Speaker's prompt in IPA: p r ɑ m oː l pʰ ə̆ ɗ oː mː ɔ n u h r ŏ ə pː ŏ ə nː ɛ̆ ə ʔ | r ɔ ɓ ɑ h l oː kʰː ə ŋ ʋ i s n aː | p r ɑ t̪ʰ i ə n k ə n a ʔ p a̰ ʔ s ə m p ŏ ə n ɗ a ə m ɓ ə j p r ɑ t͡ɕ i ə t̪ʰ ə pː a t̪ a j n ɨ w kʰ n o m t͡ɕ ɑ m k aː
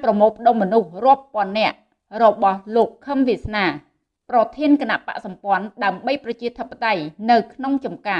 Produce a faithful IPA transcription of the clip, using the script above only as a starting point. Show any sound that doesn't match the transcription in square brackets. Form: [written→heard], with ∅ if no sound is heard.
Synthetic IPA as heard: p r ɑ m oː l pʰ ə̆ ɗ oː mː ɔ n u h r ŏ ə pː ŏ ə nː ɛ̆ ə ʔ | r ɔ ɓ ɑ h l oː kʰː ə [ŋ→m] ʋ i s n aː | p r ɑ t̪ʰ i ə n k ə n a ʔ p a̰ ʔ s [ə→ɑ] m p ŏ ə n ɗ a ə m ɓ ə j p r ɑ t͡ɕ i ə t̪ʰ ə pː a t̪ a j n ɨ w kʰ n o [m→ŋ] t͡ɕ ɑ m k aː